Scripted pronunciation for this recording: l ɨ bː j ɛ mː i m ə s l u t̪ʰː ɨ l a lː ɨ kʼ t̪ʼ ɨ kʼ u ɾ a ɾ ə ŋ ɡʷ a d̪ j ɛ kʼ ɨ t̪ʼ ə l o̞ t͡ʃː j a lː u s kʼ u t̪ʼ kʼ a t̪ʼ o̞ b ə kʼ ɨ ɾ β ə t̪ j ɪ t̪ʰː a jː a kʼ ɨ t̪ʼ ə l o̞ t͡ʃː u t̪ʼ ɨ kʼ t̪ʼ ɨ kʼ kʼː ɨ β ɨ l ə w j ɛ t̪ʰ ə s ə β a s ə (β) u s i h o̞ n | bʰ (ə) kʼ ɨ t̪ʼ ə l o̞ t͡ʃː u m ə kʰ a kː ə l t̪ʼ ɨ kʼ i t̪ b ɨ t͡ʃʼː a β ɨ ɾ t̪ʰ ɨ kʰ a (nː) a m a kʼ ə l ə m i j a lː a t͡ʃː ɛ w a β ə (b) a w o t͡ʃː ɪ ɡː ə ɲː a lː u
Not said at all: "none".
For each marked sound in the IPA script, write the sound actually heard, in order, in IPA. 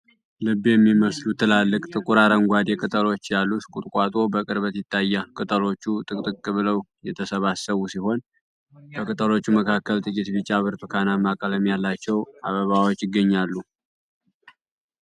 β, ə, n, β

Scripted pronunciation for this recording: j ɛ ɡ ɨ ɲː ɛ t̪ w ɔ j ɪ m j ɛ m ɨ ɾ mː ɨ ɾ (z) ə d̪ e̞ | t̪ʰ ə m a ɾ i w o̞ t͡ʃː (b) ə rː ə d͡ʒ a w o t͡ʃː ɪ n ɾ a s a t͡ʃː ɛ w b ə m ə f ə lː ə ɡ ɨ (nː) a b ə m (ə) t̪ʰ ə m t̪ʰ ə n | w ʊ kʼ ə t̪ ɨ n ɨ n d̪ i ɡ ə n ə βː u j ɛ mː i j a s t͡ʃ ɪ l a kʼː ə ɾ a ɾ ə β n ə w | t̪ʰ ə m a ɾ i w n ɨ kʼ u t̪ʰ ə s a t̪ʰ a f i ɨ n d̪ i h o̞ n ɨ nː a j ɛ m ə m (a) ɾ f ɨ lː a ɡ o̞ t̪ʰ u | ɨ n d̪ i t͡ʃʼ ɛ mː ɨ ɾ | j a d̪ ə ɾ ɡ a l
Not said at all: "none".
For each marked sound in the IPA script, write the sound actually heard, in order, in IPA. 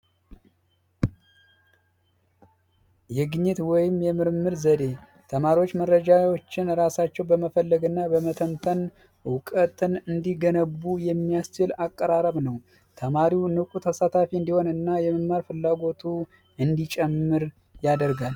z, m, nː, ə, a

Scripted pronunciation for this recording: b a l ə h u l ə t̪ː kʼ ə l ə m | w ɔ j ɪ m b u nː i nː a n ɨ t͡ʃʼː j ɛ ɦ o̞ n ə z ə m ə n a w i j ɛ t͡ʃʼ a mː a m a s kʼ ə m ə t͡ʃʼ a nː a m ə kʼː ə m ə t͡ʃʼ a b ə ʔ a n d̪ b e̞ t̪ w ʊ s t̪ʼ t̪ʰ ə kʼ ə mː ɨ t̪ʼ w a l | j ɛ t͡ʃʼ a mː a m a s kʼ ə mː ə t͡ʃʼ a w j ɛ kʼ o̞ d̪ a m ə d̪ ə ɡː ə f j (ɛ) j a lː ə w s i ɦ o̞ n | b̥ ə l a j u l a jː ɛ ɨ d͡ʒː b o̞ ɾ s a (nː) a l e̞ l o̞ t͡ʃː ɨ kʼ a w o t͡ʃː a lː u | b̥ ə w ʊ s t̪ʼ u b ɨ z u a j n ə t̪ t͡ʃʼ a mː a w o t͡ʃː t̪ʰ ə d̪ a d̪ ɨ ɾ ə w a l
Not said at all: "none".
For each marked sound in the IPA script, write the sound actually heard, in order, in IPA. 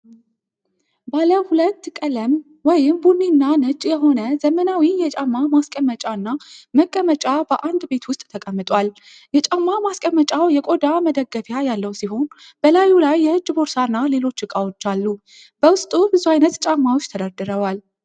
a, nː

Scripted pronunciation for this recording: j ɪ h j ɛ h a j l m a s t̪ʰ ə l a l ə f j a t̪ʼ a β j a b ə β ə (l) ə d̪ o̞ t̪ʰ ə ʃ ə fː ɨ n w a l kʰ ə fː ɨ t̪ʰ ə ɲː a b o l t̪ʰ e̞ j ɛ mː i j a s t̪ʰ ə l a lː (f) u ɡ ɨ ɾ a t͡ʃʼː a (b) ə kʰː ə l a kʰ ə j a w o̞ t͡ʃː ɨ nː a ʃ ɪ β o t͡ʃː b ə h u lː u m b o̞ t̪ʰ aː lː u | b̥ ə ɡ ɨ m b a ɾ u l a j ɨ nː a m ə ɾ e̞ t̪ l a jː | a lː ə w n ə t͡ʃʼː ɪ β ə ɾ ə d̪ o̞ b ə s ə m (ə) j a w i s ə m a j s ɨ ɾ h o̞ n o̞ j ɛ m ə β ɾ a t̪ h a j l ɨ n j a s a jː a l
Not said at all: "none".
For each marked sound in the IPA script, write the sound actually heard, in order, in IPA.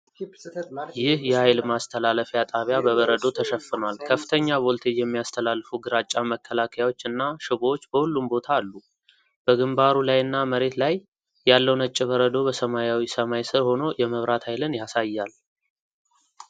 ɾ, f, m, a

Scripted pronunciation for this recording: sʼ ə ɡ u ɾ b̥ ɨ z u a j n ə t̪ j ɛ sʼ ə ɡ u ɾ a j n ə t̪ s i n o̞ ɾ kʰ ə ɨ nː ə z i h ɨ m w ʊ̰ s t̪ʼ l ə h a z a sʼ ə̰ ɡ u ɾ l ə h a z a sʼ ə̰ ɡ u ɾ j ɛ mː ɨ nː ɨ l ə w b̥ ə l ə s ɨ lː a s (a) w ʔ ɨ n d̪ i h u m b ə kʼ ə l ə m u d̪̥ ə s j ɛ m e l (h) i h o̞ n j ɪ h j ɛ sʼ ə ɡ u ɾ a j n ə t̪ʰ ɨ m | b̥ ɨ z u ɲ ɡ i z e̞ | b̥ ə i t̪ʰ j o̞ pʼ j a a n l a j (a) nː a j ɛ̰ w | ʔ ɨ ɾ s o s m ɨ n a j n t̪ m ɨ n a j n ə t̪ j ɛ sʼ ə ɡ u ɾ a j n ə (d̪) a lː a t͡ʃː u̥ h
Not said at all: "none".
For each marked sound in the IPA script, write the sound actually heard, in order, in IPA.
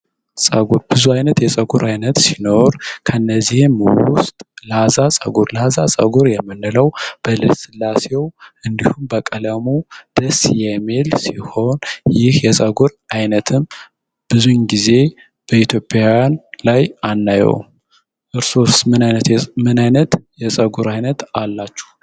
e, s, a, t̪

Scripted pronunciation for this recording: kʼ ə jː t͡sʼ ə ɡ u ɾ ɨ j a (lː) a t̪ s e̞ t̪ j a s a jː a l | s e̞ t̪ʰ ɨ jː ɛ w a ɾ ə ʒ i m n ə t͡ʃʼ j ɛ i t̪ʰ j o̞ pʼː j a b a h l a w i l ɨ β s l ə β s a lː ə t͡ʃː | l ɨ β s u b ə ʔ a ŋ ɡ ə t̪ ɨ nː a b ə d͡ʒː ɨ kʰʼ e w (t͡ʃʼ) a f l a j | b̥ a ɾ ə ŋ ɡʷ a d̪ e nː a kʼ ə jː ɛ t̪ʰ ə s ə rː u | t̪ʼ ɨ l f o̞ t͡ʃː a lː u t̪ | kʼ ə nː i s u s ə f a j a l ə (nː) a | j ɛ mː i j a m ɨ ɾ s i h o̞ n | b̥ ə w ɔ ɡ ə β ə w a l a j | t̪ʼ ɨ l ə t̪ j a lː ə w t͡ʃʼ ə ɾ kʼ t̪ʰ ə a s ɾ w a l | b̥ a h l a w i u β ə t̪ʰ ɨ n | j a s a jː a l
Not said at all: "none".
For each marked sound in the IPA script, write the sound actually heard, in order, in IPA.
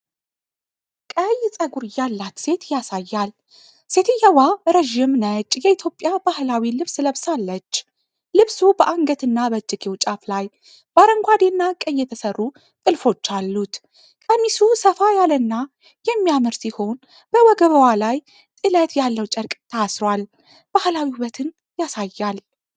lː, t͡ʃʼ, nː

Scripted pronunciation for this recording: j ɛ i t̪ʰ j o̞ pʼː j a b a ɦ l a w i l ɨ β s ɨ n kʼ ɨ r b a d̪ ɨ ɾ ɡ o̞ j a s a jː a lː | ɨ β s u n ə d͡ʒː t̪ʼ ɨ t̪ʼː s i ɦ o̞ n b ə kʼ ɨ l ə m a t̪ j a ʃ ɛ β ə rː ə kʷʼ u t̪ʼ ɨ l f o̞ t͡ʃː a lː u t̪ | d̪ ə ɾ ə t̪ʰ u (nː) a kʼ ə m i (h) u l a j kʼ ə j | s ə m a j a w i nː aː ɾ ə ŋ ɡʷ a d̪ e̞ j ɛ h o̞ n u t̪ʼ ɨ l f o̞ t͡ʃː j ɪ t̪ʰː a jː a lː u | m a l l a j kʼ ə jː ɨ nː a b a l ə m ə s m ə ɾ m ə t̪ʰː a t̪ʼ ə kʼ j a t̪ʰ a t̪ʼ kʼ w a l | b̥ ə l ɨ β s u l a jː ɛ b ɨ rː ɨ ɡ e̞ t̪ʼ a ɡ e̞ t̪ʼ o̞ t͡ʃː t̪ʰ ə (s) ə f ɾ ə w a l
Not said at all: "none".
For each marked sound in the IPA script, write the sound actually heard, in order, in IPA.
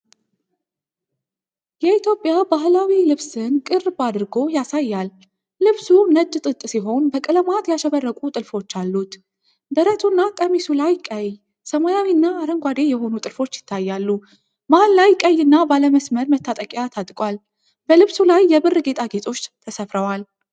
nː, s, s

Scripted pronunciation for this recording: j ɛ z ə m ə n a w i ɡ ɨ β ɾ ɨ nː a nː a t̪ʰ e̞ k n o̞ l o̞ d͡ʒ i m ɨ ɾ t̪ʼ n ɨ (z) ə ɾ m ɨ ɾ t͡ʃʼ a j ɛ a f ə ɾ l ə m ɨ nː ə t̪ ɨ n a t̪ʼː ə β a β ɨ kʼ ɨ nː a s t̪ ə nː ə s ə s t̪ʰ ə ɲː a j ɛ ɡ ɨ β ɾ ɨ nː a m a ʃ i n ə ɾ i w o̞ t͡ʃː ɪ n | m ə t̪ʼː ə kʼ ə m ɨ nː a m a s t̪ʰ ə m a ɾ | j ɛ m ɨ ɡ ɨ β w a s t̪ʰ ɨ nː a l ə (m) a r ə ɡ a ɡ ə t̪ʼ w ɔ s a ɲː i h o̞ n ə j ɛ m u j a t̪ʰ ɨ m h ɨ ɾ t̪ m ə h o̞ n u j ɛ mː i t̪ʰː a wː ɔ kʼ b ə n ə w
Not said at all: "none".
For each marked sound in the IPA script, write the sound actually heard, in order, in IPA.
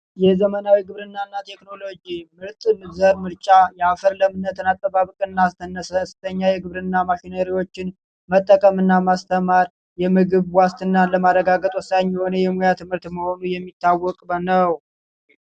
z, m

